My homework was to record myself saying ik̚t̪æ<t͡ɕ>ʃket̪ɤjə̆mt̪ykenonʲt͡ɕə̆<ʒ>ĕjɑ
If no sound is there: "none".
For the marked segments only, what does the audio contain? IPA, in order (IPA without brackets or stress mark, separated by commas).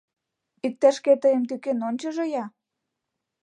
none, ʒ